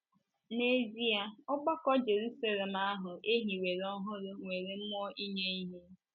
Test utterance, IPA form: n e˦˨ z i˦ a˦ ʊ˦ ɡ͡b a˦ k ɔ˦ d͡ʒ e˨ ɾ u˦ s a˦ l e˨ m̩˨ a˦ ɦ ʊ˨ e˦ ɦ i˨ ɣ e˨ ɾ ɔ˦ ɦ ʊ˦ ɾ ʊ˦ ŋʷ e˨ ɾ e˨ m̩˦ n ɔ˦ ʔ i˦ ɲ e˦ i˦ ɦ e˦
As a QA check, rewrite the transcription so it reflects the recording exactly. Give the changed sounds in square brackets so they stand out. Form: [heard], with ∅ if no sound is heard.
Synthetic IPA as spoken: n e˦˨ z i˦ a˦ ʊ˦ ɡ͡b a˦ k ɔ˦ d͡ʒ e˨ ɾ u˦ s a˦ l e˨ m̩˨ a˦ ɦ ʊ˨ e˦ ɦ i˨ [w] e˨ ɾ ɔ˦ ɦ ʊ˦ ɾ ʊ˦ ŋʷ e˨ ɾ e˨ m̩˦ [m] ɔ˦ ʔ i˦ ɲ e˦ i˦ ɦ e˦